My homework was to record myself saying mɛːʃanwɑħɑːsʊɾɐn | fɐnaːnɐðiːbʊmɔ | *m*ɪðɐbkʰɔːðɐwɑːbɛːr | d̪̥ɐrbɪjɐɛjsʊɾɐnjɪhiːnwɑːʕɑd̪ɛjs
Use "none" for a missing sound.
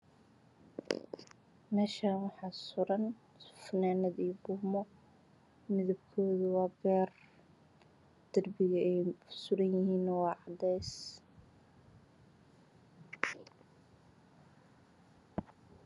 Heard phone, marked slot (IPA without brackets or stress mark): m